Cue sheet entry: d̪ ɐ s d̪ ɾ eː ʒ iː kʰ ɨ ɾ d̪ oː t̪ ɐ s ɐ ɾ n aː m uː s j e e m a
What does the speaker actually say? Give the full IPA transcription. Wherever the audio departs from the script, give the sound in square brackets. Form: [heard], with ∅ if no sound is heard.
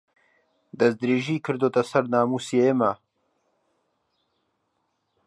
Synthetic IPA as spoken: d̪ ɐ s d̪ ɾ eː ʒ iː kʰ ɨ ɾ d̪ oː t̪ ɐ s ɐ ɾ n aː m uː s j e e m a